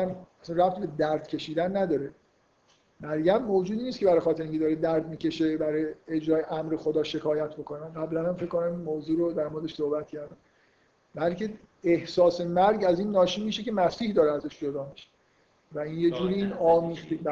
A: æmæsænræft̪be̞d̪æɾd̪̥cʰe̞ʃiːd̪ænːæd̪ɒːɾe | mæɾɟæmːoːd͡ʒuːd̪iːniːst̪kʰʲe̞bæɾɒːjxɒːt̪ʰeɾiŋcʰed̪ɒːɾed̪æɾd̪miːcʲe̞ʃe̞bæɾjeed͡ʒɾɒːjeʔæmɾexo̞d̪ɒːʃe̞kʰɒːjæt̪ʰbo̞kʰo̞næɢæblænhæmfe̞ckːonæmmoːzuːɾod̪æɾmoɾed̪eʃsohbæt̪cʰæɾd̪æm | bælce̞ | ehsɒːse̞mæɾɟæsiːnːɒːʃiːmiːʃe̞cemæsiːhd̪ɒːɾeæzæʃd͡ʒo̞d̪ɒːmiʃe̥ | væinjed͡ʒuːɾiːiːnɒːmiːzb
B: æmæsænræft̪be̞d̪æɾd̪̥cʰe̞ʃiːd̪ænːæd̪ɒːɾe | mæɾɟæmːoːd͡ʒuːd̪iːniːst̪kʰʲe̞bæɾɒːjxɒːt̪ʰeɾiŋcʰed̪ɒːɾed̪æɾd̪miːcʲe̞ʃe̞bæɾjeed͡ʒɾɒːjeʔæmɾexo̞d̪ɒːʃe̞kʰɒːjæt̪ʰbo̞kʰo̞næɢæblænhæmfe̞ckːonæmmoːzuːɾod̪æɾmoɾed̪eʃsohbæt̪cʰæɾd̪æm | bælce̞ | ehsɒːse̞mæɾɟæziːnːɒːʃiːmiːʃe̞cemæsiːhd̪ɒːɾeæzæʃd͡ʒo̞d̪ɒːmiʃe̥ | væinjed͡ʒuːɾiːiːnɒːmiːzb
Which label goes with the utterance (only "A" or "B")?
B